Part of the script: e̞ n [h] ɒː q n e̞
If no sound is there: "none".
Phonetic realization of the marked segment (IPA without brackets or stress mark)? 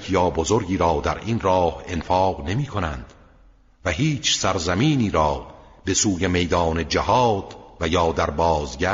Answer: f